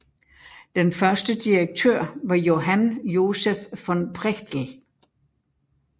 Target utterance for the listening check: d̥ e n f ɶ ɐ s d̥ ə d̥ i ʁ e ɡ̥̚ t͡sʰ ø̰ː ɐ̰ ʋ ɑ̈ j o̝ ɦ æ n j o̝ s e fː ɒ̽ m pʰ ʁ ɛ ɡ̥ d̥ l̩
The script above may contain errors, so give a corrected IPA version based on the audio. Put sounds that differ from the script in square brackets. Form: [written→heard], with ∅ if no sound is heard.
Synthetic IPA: d̥ e n f ɶ ɐ s d̥ ə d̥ i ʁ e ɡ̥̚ t͡sʰ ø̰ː ɐ̰ ʋ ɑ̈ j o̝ ɦ æ n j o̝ s e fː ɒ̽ [m→n] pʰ ʁ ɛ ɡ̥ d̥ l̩

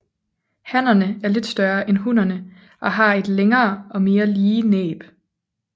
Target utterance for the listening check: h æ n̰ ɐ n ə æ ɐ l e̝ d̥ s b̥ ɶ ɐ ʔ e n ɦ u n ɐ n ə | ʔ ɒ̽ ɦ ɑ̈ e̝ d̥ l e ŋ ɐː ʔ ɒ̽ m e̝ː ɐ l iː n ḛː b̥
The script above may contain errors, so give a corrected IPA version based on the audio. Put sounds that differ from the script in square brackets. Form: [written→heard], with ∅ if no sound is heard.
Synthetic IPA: h æ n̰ ɐ n ə æ ɐ l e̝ d̥ s [b̥→d̥] ɶ ɐ ʔ e n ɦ u n ɐ n ə | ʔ ɒ̽ ɦ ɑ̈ e̝ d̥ l e ŋ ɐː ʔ ɒ̽ m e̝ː ɐ l iː n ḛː b̥

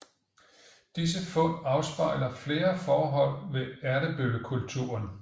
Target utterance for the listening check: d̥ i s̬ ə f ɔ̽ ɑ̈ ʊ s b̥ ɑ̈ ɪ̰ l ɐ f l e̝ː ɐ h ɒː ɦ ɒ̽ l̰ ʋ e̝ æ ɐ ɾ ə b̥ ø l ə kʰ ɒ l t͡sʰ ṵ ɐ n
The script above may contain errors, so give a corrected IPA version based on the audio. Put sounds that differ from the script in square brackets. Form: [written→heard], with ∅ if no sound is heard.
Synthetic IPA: d̥ i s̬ ə f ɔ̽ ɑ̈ ʊ s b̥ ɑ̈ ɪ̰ l ɐ f l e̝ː ɐ [h→f] ɒː ɦ ɒ̽ l̰ ʋ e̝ æ ɐ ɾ ə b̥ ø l ə kʰ [ɒ→u] l t͡sʰ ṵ ɐ n

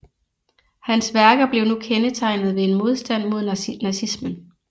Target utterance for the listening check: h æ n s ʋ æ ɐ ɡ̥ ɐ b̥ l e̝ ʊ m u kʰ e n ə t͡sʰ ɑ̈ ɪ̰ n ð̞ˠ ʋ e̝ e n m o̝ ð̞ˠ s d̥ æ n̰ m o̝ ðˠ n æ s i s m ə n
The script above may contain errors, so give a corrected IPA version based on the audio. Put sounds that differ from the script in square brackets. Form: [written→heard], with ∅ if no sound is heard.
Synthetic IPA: h æ n s ʋ æ ɐ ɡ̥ ɐ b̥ l e̝ ʊ [m→n] u kʰ e n ə t͡sʰ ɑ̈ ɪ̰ n ð̞ˠ ʋ e̝ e n m o̝ ð̞ˠ s d̥ æ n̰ m o̝ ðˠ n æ s i s m ə n

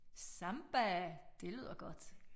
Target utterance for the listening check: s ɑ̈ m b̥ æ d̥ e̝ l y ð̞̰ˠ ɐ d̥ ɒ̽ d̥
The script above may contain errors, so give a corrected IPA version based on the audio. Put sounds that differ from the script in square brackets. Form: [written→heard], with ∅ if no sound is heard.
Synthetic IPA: s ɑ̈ m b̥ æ d̥ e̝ l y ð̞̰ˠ ɐ [d̥→ɡ̥] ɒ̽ d̥

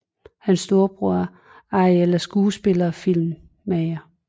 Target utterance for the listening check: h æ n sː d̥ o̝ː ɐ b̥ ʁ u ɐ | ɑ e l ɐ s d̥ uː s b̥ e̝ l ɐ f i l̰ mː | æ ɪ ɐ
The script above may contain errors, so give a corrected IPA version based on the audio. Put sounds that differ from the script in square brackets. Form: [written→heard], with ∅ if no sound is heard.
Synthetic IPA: h æ n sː d̥ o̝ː ɐ b̥ ʁ u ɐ | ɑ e l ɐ s [d̥→ɡ̥] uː s b̥ e̝ l ɐ f i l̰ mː | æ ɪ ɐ

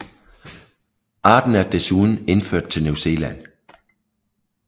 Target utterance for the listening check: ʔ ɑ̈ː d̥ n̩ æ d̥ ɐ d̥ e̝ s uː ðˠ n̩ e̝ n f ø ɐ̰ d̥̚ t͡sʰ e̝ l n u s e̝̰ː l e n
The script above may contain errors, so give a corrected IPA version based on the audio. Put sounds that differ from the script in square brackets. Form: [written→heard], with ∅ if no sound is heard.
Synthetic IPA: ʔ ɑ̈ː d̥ n̩ æ [d̥→∅] ɐ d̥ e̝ s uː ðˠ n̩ e̝ n f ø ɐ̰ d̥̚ t͡sʰ e̝ l n u s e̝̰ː l [e→æ] n

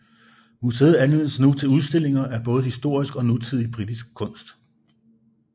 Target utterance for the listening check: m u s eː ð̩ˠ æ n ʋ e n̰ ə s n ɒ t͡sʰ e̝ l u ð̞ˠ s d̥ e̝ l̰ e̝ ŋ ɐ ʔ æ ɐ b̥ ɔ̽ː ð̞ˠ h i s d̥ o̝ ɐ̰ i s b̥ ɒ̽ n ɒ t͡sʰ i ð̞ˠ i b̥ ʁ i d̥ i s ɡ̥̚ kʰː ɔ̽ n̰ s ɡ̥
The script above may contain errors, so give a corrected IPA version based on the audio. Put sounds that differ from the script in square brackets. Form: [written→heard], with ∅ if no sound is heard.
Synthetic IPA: m u s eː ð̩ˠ æ n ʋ e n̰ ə s n [ɒ→u] t͡sʰ e̝ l u ð̞ˠ s d̥ e̝ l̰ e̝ ŋ ɐ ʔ æ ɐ b̥ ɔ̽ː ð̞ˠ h i s d̥ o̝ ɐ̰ i s [b̥→ɡ̥] ɒ̽ n [ɒ→u] t͡sʰ i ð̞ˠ i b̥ ʁ i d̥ i s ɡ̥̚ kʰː ɔ̽ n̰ s [ɡ̥→d̥]

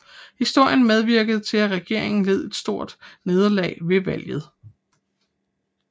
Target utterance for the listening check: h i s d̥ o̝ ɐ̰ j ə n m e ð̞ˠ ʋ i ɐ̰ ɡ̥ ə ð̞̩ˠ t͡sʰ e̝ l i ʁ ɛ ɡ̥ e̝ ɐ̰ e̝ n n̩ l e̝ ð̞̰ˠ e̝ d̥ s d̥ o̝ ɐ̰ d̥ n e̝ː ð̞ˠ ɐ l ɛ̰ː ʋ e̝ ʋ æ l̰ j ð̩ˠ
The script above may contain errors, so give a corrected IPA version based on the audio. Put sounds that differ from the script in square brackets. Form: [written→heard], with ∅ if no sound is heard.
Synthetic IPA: h i s d̥ o̝ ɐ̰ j ə n m e ð̞ˠ ʋ i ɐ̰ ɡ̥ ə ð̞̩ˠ t͡sʰ e̝ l [i→æ] ʁ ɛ ɡ̥ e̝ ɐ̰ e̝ [n→ŋ] n̩ l e̝ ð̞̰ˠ e̝ d̥ s d̥ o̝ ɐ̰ d̥ n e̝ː ð̞ˠ ɐ l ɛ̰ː ʋ e̝ ʋ æ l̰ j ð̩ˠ

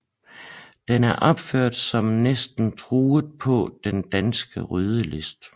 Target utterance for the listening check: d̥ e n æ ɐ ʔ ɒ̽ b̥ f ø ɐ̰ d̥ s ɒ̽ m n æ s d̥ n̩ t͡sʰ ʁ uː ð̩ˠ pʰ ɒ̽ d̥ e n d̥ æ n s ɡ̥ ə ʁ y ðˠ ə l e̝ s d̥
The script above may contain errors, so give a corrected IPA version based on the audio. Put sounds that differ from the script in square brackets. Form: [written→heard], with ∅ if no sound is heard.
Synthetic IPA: d̥ e n æ ɐ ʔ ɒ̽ b̥ f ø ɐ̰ d̥ s ɒ̽ m n [æ→e] s d̥ n̩ t͡sʰ ʁ uː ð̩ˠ pʰ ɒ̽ d̥ e n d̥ æ n s ɡ̥ ə ʁ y ðˠ ə l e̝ s d̥

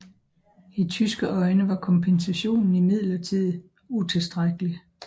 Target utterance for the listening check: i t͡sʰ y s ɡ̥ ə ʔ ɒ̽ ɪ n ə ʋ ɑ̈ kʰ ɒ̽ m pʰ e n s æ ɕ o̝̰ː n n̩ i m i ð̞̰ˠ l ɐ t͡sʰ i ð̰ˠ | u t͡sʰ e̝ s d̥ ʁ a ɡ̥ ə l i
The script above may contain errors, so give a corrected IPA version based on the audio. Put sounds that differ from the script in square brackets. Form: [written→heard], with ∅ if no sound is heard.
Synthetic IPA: i t͡sʰ y s ɡ̥ ə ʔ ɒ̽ ɪ n ə ʋ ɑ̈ kʰ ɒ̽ m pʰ e n s æ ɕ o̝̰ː n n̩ i m i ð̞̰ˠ l ɐ t͡sʰ i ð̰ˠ | u t͡sʰ e̝ s d̥ ʁ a ɡ̥ ə l i

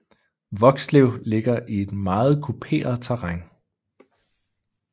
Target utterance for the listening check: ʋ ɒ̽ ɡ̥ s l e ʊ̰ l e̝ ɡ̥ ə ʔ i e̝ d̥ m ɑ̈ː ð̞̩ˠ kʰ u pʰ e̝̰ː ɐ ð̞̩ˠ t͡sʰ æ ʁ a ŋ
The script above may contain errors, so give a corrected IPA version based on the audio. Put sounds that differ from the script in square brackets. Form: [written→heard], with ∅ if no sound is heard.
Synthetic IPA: ʋ ɒ̽ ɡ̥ s l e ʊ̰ l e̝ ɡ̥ [ə→ɐ] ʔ i e̝ d̥ m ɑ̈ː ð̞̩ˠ kʰ u pʰ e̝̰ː ɐ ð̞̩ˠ t͡sʰ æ ʁ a ŋ

